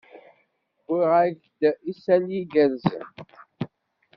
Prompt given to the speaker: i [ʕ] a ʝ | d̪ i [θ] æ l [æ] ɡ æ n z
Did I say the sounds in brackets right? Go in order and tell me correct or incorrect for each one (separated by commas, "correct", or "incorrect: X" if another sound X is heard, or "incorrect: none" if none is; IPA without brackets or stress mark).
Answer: incorrect: ʁ, incorrect: s, incorrect: i